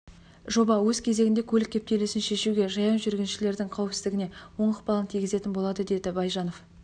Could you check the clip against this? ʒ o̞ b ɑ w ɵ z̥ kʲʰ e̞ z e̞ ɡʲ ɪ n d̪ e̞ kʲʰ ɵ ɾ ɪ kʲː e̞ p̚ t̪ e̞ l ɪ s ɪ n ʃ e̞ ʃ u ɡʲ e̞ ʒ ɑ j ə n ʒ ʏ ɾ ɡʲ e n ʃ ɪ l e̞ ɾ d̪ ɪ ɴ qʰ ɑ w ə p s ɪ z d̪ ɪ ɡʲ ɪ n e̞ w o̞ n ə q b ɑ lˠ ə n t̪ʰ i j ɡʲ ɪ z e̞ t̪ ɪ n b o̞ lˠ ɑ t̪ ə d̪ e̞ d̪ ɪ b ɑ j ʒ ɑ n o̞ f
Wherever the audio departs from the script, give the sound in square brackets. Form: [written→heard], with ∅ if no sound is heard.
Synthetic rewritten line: ʒ o̞ b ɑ w ɵ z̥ kʲʰ e̞ z e̞ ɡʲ ɪ n d̪ e̞ kʲʰ ɵ [ɾ→l] ɪ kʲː e̞ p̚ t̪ e̞ l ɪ s ɪ n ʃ e̞ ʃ u ɡʲ e̞ ʒ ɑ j [ə→ɑ] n ʒ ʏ ɾ ɡʲ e n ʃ ɪ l e̞ ɾ d̪ ɪ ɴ qʰ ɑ w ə p s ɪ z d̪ ɪ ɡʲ ɪ n e̞ w o̞ [n→ɴ] ə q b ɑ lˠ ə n t̪ʰ i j ɡʲ ɪ z e̞ t̪ ɪ n b o̞ lˠ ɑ [t̪→d̪] ə d̪ e̞ d̪ ɪ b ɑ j ʒ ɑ n o̞ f